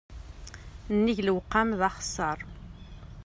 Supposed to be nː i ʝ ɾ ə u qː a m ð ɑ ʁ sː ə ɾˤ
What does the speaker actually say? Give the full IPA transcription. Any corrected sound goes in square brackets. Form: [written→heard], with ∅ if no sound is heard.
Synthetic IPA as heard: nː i ʝ [ɾ→l] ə [u→w] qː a m ð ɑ [ʁ→χ] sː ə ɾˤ